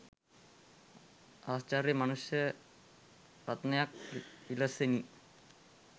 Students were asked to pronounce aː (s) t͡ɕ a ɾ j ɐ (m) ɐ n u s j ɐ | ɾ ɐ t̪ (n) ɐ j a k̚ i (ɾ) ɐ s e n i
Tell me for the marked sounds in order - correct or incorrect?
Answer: correct, correct, correct, incorrect

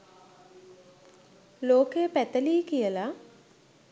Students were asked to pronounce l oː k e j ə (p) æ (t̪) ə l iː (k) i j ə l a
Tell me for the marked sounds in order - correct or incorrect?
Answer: correct, correct, correct

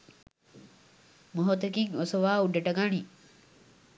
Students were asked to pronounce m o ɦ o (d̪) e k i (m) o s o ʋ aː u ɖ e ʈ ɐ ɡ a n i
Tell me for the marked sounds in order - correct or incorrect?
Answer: incorrect, incorrect

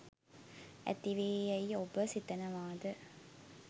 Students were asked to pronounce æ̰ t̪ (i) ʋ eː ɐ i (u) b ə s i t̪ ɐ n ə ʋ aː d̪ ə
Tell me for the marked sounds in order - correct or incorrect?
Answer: correct, incorrect

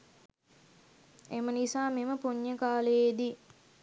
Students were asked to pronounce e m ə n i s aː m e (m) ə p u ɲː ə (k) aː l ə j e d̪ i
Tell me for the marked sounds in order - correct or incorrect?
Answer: correct, correct

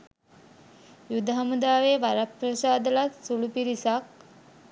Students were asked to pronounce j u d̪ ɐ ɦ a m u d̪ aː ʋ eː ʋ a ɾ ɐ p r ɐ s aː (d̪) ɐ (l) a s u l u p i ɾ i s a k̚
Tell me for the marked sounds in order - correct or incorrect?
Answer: correct, correct

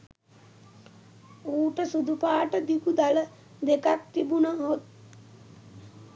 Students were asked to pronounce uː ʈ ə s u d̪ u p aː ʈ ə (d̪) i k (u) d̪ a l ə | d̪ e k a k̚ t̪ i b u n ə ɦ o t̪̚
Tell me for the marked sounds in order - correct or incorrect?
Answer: correct, correct

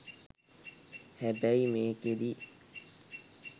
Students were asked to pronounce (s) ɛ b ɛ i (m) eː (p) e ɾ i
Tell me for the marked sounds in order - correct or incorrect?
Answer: incorrect, correct, incorrect

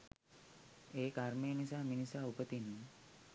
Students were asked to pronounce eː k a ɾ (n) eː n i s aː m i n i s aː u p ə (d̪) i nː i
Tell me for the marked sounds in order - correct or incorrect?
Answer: incorrect, incorrect

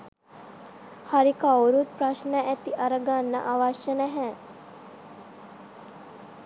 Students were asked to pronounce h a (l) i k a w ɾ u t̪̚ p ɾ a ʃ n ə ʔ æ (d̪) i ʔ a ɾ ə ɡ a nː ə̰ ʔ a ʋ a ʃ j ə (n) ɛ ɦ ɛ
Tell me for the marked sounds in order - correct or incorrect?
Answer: incorrect, incorrect, correct

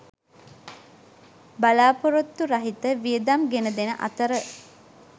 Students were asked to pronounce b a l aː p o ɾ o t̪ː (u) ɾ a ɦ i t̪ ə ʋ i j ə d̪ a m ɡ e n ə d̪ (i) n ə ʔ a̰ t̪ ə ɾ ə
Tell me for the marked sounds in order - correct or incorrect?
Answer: correct, incorrect

